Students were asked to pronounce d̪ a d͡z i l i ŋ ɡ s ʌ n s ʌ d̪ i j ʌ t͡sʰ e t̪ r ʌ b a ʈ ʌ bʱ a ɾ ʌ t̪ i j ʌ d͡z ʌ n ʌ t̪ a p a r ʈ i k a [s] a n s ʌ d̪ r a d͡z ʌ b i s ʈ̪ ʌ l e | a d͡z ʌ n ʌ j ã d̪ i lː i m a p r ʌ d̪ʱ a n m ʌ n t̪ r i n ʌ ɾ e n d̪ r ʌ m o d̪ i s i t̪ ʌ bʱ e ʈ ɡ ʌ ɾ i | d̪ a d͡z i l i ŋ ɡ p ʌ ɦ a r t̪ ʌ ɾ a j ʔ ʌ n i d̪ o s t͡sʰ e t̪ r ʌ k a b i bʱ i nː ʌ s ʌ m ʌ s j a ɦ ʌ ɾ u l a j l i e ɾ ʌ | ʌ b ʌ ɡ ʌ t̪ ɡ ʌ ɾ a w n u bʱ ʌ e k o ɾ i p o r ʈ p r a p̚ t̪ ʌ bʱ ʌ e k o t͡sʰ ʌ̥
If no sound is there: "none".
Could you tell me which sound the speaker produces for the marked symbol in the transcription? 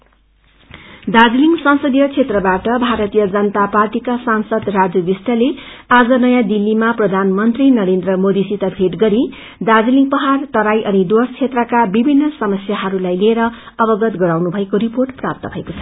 s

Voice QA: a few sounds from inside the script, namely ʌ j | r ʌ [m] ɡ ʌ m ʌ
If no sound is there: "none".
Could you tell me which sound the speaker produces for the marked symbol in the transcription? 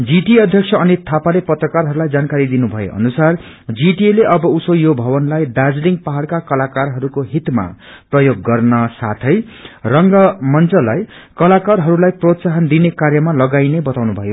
ŋ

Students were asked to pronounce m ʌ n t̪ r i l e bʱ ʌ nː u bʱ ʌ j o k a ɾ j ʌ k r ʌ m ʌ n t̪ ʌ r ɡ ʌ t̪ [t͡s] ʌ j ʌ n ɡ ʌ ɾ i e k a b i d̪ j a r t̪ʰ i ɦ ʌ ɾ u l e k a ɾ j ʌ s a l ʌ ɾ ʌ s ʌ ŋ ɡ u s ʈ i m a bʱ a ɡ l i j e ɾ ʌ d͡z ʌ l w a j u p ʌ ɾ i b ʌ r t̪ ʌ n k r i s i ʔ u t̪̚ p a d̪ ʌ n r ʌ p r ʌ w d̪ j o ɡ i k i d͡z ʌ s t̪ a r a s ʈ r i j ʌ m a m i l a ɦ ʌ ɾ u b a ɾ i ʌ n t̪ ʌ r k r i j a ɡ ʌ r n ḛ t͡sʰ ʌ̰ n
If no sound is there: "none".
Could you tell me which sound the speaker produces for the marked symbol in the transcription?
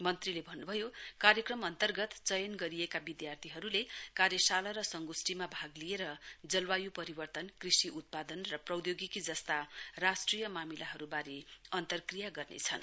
t͡s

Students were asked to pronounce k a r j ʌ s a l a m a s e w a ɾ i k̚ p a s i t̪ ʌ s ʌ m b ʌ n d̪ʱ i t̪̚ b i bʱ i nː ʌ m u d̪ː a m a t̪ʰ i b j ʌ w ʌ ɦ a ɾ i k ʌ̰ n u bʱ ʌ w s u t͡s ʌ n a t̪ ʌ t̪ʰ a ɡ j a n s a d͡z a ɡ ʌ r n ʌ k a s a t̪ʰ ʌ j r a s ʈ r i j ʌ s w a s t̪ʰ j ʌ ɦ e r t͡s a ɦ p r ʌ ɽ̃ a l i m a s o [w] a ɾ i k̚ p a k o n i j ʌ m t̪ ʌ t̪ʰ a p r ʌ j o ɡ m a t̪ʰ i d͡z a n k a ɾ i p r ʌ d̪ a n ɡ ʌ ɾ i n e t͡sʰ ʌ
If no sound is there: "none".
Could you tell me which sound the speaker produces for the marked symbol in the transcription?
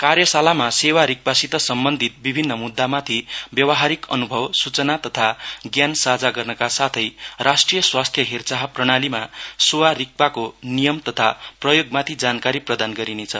w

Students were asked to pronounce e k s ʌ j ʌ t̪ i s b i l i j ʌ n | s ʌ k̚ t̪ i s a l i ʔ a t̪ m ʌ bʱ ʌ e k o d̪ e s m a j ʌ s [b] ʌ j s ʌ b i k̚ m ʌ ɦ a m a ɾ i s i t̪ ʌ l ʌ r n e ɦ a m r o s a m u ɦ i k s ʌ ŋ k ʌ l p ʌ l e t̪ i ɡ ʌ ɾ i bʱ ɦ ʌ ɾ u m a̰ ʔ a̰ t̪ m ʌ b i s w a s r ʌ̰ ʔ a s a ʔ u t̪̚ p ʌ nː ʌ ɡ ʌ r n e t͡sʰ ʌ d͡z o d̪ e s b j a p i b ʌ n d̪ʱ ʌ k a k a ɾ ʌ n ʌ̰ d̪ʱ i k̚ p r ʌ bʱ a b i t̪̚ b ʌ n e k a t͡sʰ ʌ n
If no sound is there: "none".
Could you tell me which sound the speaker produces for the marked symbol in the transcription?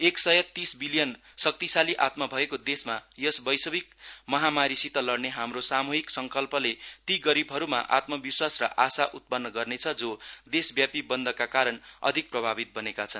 b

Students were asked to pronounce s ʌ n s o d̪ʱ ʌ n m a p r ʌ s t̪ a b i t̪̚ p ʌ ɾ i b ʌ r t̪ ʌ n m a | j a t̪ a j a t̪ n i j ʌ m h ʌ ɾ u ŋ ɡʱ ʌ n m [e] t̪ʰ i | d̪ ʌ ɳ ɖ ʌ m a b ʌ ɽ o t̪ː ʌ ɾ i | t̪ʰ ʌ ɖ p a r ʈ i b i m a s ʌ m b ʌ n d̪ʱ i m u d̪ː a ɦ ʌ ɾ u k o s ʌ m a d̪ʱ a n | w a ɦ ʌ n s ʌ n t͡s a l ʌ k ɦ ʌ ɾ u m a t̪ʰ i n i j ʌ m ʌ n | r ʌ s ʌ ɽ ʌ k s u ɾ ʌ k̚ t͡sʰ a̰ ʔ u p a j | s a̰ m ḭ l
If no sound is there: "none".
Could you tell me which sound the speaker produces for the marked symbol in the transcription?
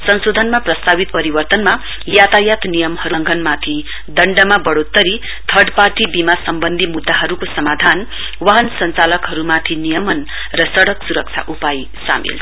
a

